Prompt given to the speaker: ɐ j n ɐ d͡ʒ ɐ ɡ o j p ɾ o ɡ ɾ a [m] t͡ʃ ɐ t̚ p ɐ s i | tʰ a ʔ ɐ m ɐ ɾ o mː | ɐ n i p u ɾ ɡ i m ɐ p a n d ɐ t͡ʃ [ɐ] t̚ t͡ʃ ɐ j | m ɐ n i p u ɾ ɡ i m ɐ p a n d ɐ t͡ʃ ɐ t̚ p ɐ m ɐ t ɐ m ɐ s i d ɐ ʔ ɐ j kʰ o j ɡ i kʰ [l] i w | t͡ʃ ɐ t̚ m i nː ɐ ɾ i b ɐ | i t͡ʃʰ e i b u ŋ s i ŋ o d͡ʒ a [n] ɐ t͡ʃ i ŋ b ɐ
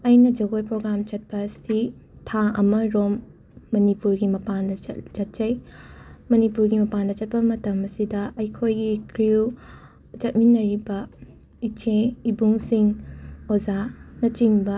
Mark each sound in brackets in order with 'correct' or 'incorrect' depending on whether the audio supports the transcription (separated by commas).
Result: correct, correct, incorrect, correct